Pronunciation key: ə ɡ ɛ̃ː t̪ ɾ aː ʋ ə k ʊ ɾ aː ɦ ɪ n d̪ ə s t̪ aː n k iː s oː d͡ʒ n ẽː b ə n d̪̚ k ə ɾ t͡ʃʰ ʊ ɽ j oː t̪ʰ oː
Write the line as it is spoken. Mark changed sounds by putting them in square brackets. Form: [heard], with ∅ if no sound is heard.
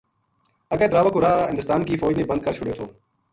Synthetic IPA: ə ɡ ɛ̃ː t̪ ɾ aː ʋ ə k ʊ ɾ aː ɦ ɪ n d̪ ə s t̪ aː n k iː [f] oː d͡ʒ n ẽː b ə n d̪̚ k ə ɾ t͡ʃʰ ʊ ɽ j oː t̪ʰ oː